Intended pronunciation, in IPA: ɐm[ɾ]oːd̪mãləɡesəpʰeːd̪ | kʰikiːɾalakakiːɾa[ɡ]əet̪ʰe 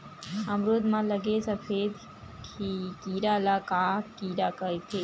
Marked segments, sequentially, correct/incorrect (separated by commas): correct, incorrect